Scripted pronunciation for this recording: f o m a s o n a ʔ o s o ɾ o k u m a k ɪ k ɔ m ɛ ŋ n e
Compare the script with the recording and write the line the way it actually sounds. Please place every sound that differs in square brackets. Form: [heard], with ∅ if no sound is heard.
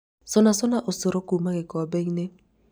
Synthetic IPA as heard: [s] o [n] a s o n a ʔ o s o ɾ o k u m a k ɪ k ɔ [b] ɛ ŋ n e

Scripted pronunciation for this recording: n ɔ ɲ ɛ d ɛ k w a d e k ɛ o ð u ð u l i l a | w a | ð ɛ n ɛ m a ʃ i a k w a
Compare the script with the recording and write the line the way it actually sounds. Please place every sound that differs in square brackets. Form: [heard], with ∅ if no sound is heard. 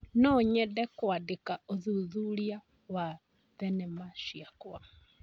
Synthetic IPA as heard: n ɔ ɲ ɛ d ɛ k w a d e k [a] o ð u ð u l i [∅] a | w a | ð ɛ n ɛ m a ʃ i a k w a

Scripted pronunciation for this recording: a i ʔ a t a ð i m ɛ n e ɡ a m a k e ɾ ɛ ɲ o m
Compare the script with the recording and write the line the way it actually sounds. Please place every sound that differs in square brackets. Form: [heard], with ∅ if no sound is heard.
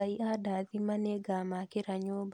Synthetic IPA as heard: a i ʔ a [d] a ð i m [a] n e ɡ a m a k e ɾ [a] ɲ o [b]

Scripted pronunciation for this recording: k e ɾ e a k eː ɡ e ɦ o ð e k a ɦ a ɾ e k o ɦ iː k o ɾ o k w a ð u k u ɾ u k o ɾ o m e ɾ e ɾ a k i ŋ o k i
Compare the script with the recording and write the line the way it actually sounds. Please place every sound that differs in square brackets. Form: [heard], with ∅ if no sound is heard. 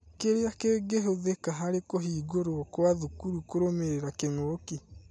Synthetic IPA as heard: k e ɾ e a k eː ɡ e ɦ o ð e k a ɦ a ɾ e k o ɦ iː [ɡ] o ɾ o k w a ð u k u ɾ u k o ɾ o m e ɾ e ɾ a k [e] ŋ o k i

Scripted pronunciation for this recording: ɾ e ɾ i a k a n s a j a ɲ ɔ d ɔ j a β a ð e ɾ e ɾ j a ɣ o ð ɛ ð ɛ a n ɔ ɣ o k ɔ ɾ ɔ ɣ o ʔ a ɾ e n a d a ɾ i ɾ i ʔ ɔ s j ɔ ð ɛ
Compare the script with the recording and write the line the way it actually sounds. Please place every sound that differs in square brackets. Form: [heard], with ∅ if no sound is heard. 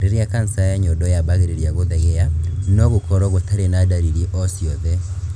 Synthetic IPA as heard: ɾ e ɾ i a k a n s a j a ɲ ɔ d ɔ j a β a [ɣ] e ɾ e ɾ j a ɣ o ð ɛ [ɣ] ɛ a n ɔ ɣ o k ɔ ɾ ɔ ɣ o [t] a ɾ e n a d a ɾ i ɾ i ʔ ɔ s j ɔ ð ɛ

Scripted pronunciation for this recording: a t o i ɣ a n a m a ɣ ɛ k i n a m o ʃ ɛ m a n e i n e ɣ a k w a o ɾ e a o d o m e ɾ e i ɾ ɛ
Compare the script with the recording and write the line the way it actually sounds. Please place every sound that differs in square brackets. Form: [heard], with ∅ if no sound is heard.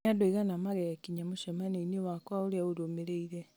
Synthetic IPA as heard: a [d] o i ɣ a n a m a ɣ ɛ k i [ɲ] a m o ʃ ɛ m a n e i n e [w] a k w a o ɾ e a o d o m e ɾ e i ɾ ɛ

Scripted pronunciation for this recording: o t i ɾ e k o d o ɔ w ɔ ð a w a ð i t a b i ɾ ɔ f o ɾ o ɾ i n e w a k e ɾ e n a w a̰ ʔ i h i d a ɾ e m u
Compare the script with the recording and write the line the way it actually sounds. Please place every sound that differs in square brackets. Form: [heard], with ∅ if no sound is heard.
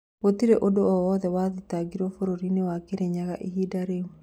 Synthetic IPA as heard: o t i ɾ e [ʔ] o d o ɔ w ɔ ð [ɛ] w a ð i t a [ɡ] i ɾ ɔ f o ɾ o ɾ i n e w a k e ɾ e [ɲ] a [ɣ] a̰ ʔ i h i d a ɾ e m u

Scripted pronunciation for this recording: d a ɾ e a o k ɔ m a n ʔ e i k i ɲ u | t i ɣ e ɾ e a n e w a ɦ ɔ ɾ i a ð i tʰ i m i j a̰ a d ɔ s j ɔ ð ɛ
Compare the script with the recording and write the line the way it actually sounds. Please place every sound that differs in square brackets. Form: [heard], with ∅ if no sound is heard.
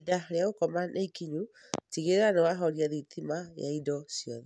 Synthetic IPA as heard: d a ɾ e a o k ɔ m a n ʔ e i k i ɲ u | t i ɣ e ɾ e a n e w a ɦ ɔ ɾ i a ð i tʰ i m [a] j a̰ [i] d ɔ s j ɔ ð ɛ

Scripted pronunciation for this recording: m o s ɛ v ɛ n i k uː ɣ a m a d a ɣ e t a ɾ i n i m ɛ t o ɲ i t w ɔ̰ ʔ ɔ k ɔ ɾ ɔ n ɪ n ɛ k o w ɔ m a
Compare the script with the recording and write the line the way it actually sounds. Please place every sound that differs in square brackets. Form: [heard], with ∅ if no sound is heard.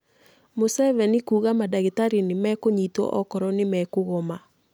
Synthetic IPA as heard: m o s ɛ v ɛ n i k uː ɣ a m a d a ɣ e t a ɾ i n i m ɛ [k] o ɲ i t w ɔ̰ ʔ ɔ k ɔ ɾ ɔ n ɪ [m] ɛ k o [ɣ] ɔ m a

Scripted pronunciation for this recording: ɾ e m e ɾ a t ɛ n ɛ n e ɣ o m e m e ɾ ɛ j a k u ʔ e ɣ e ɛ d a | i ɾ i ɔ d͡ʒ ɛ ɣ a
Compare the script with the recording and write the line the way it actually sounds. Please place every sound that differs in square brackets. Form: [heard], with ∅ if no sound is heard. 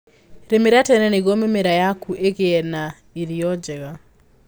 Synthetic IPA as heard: ɾ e m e ɾ a t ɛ n ɛ n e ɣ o m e m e ɾ [a] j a k u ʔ e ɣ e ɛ [n] a | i ɾ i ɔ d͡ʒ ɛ ɣ a

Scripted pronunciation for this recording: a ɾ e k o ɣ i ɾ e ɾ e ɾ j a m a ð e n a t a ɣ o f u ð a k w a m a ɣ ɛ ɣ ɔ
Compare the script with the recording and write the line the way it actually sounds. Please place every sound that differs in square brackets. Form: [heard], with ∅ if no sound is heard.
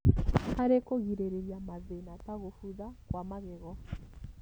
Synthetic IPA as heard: a ɾ e k o ɣ i ɾ e ɾ e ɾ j a m a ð e n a t a ɣ o f u ð a k w a m a ɣ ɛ ɣ ɔ

